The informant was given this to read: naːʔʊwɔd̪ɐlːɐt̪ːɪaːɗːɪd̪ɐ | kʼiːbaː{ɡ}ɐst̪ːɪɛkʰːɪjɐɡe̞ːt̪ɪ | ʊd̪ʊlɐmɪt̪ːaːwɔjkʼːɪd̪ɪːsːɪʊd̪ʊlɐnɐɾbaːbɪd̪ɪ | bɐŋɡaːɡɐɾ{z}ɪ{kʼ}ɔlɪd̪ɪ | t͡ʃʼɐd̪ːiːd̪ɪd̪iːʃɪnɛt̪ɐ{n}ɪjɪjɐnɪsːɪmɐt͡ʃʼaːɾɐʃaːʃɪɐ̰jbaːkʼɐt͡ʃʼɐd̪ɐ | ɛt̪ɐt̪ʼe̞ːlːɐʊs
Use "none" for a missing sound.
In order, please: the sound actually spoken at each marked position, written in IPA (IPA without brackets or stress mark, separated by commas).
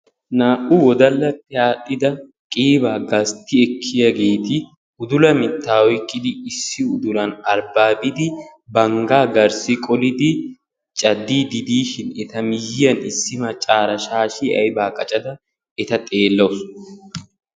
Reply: ɡ, s, kʼ, m